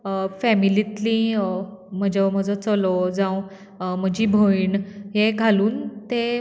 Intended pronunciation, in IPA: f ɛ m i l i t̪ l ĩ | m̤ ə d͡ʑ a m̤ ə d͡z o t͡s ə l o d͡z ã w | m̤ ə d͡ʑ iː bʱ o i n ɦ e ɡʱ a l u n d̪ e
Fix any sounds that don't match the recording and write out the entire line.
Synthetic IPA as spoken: f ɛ m i l i t̪ l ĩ | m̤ ə d͡ʑ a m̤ ə d͡z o t͡s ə l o d͡z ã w | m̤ ə d͡ʑ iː bʱ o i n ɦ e ɡʱ a l uː n t̪ e